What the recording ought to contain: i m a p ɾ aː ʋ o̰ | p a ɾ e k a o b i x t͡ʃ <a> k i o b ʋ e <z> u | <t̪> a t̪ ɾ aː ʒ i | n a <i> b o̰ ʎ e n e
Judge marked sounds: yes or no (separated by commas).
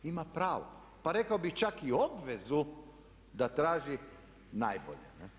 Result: yes, yes, no, no